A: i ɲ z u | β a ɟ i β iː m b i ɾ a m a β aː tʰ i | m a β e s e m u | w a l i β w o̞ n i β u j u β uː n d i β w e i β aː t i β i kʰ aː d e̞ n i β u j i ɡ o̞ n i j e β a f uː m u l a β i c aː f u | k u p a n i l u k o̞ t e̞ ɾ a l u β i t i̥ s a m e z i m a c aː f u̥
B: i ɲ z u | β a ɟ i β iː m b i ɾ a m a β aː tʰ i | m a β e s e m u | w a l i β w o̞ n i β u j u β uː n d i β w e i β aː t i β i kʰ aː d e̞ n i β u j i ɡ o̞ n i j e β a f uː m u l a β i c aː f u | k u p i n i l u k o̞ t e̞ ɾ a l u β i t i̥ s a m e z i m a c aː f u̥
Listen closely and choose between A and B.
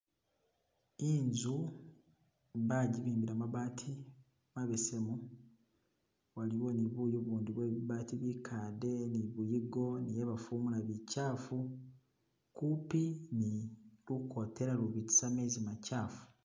B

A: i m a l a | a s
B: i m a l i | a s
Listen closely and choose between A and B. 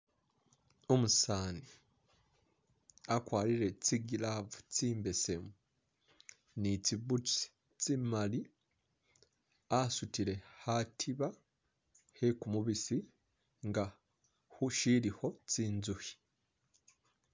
B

